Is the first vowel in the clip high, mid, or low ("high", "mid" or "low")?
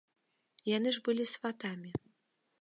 low